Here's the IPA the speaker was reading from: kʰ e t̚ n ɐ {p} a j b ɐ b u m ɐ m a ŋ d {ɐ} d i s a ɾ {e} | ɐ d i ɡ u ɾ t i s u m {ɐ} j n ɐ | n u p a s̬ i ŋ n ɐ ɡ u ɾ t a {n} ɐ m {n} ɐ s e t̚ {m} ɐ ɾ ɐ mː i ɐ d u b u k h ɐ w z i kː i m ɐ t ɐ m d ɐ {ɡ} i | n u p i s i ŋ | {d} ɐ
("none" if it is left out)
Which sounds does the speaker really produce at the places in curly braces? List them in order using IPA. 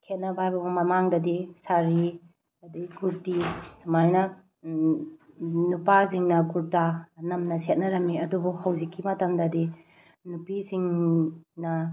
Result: b, ɐ, i, a, n, n, n, d, n

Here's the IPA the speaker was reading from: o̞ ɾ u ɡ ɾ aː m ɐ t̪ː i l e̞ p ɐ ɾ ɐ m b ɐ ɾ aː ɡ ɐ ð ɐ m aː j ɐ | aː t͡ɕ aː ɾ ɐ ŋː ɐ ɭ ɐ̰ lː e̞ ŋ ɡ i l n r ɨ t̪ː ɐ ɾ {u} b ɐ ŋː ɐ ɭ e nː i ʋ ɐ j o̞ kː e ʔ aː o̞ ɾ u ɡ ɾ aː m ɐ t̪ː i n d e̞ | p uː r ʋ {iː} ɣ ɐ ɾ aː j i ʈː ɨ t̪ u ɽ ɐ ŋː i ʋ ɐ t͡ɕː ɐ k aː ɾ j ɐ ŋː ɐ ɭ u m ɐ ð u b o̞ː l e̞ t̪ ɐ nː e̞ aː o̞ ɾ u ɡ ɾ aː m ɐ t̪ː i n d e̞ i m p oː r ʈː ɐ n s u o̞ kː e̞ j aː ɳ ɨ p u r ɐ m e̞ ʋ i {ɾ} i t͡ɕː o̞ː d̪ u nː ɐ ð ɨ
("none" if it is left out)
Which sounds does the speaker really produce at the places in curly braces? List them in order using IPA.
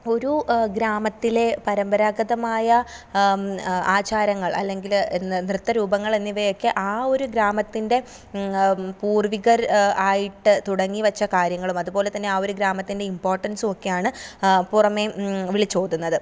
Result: uː, i, ɭ

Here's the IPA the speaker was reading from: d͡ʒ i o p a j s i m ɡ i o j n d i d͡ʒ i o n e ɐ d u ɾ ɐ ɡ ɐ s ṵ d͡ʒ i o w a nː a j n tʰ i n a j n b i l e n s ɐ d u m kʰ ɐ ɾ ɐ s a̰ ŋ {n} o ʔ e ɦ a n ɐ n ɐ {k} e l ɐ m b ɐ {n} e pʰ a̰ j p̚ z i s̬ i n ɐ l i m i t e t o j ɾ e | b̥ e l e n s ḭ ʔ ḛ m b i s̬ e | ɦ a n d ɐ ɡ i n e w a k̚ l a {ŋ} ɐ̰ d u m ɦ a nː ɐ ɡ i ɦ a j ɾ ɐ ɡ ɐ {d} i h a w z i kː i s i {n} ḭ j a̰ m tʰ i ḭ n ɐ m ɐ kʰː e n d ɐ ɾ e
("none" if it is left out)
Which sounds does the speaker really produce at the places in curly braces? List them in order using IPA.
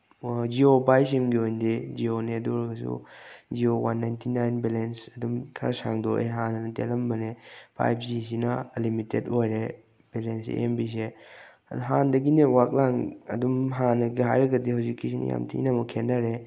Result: d, t, n, ŋ, d, n

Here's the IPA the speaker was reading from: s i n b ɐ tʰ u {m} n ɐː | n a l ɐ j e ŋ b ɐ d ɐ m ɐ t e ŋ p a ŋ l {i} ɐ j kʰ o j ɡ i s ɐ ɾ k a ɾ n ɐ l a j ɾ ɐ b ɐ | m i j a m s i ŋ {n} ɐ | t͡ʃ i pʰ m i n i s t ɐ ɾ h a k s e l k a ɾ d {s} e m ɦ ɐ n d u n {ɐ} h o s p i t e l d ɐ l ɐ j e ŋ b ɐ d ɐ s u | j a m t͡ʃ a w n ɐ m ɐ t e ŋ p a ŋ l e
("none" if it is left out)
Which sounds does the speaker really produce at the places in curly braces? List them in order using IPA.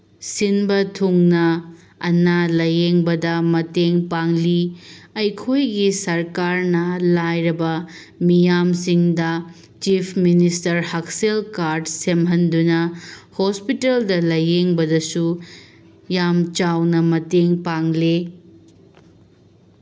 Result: ŋ, i, d, s, ɐ

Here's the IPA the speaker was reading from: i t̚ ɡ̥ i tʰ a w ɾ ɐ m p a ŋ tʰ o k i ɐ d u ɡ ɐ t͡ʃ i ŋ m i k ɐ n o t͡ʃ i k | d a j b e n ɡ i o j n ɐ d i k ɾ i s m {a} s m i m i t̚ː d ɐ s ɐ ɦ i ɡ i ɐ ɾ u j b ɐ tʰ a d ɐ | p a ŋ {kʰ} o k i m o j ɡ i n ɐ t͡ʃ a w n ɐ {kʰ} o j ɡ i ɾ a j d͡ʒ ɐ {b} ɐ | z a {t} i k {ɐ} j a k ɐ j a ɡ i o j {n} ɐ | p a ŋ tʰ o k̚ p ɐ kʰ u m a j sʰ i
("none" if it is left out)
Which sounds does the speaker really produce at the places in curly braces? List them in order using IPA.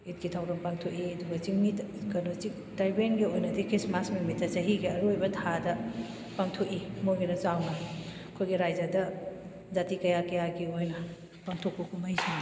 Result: a, tʰ, kʰ, d, t, ɐ, n

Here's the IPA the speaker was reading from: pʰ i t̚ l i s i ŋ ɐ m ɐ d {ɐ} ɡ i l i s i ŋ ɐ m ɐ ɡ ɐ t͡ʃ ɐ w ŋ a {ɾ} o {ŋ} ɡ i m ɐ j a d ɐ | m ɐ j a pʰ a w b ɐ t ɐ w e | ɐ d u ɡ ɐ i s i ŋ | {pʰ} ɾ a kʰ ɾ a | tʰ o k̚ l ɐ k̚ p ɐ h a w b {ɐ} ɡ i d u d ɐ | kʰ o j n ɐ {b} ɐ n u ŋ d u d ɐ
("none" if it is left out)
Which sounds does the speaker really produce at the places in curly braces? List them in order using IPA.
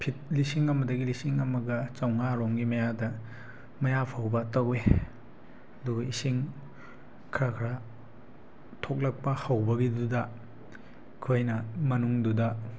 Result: ɐ, ɾ, ŋ, kʰ, ɐ, m

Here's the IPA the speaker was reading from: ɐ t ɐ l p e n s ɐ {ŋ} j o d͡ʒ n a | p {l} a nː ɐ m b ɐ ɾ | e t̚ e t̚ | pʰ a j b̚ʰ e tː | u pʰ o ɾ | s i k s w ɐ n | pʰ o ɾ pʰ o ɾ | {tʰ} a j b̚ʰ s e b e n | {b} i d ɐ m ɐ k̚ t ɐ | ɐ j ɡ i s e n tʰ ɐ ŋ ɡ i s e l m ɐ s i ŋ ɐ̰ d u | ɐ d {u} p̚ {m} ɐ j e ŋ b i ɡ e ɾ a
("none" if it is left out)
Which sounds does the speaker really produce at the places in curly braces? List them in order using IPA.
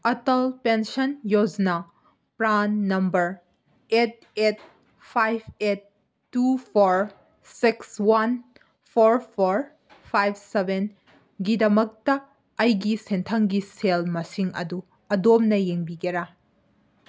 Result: n, ɾ, pʰ, ɡ, o, n

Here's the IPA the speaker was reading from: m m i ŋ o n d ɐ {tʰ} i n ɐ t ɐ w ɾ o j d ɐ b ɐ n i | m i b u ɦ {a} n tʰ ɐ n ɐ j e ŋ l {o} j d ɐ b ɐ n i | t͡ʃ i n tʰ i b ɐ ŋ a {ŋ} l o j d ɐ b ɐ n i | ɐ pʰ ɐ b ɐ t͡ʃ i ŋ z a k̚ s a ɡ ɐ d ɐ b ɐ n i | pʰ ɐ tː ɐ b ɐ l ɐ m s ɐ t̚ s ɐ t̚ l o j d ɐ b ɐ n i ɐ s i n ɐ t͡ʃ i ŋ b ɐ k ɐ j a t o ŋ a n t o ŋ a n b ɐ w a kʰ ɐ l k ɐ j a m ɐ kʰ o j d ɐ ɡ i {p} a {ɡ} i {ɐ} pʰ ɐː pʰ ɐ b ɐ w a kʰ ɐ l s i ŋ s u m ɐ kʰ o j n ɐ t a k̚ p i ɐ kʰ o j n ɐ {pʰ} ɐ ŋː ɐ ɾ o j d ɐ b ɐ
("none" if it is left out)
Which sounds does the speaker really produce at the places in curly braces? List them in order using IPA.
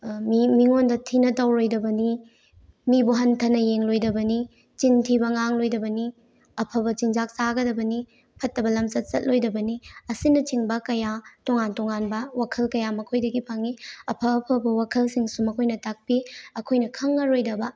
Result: tʰ, ɐ, o, ŋ, pʰ, ŋ, ɐ, kʰ

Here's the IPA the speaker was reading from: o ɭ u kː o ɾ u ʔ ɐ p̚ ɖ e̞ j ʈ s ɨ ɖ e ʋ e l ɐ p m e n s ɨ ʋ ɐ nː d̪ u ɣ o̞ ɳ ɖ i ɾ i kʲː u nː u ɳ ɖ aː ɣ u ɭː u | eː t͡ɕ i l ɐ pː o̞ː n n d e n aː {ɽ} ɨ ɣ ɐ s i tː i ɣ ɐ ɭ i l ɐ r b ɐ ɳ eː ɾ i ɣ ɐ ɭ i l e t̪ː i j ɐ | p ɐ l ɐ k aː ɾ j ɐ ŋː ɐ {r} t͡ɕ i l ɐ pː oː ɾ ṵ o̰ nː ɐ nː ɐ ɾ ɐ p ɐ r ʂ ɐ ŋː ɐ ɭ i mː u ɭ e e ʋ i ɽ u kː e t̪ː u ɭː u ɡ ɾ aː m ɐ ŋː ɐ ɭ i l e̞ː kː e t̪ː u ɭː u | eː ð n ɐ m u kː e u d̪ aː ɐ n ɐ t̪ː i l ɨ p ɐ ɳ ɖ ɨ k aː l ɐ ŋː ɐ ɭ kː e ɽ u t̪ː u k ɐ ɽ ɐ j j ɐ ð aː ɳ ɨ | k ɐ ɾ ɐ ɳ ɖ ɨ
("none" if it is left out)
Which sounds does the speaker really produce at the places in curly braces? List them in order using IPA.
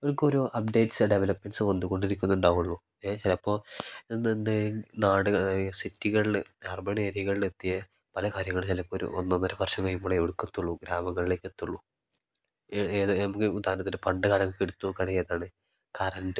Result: ɽ, ɭ

